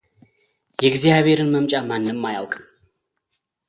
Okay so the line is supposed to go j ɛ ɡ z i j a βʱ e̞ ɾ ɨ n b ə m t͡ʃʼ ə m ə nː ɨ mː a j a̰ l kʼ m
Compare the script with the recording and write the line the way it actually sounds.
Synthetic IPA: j ɛ ɡ z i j a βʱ e̞ ɾ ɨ n m ə m t͡ʃʼ a m a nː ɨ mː a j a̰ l kʼ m